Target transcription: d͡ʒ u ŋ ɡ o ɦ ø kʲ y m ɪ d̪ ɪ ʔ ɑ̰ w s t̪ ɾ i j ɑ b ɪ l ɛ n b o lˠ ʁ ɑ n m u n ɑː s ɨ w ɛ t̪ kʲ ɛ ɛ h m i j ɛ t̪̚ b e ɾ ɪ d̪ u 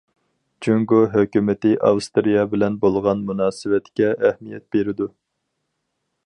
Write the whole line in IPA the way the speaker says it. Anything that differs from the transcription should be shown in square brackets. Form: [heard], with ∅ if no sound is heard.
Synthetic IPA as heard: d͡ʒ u ŋ ɡ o ɦ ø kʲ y m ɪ [t̪] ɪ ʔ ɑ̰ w s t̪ ɾ i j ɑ b ɪ l ɛ n b o lˠ ʁ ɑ n m u n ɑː s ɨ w ɛ t̪ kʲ ɛ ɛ h m i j ɛ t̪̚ b e ɾ ɪ d̪ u